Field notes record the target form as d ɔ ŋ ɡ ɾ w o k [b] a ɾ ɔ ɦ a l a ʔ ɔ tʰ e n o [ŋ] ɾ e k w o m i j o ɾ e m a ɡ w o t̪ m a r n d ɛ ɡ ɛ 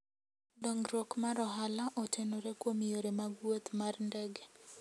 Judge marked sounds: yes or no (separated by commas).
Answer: no, no